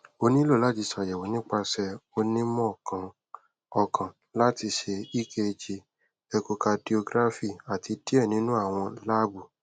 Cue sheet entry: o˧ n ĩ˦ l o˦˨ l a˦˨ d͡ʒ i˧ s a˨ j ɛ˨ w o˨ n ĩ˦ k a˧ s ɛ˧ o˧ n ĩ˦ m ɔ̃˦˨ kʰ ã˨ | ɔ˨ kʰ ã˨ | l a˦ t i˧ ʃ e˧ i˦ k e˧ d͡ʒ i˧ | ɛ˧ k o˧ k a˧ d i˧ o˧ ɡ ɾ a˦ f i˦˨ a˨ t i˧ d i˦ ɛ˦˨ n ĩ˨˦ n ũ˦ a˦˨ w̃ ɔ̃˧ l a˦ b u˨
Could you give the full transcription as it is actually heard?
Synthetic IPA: o˧ n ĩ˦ l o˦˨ l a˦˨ d͡ʒ i˧ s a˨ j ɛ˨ w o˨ n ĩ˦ k͡p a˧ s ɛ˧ o˧ n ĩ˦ m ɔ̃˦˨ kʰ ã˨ | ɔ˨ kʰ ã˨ | l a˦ t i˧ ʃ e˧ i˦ k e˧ d͡ʒ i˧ | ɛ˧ k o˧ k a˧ d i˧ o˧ ɡ ɾ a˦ f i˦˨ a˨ t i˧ d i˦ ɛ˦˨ n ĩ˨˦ n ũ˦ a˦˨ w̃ ɔ̃˧ l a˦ b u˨